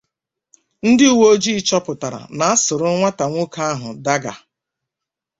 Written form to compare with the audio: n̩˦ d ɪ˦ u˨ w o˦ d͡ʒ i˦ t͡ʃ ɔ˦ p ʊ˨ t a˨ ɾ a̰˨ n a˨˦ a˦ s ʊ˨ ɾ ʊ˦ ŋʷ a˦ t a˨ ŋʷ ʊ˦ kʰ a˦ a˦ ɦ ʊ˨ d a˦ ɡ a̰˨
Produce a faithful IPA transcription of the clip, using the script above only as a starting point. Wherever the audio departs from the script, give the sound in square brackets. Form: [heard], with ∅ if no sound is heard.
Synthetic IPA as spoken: n̩˦ d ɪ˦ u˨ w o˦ d͡ʒ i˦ t͡ʃ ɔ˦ p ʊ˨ t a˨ ɾ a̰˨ n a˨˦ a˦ s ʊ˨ ɾ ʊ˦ ŋʷ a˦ t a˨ ŋʷ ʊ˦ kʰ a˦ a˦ ɦ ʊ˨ d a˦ ɡ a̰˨

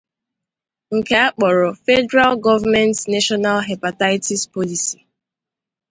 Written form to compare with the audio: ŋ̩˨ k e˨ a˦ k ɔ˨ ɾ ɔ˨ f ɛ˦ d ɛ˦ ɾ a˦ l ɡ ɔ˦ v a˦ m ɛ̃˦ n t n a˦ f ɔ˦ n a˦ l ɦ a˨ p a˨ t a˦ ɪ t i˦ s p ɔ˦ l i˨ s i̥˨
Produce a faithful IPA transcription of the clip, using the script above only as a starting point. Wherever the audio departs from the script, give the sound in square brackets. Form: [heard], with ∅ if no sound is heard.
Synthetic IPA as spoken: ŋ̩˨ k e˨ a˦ [k͡p] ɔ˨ ɾ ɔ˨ f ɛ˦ d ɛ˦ ɾ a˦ l ɡ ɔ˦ v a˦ m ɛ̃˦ n t n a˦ [ʃ] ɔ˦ n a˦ l ɦ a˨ p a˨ t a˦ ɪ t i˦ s p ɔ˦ l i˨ s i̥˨

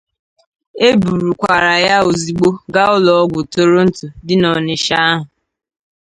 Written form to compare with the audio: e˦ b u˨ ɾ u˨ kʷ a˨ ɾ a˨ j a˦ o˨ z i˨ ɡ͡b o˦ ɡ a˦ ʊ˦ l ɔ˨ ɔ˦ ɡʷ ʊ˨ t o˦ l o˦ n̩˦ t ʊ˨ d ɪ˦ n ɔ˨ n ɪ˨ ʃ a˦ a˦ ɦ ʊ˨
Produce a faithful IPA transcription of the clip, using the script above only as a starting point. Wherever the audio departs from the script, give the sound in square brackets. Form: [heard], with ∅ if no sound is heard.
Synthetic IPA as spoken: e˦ b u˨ ɾ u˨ kʷ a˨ ɾ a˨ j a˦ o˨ z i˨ ɡ͡b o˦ ɡ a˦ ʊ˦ l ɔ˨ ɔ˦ ɡʷ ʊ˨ t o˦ [ɾ] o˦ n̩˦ t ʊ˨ d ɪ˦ n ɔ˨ n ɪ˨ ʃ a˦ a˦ ɦ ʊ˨

